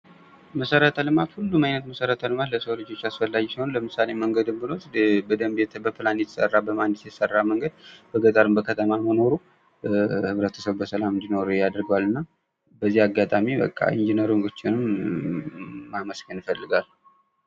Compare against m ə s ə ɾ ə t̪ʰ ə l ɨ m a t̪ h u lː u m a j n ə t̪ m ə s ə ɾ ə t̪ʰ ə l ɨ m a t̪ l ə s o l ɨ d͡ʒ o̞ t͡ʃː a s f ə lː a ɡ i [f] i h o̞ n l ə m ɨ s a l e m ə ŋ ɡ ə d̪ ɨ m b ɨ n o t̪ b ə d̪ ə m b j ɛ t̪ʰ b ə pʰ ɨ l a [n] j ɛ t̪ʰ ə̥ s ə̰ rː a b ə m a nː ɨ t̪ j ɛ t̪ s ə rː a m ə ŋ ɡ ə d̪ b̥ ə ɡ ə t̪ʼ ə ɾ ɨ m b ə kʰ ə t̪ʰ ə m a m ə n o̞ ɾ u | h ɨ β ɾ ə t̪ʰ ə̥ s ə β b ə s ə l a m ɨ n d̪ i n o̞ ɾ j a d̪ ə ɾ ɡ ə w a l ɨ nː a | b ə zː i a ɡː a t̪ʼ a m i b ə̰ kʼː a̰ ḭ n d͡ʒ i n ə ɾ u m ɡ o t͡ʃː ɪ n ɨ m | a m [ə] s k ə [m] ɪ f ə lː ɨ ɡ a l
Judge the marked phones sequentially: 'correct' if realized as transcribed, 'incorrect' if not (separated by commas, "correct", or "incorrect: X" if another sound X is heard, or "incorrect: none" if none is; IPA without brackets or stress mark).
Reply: incorrect: s, correct, correct, incorrect: n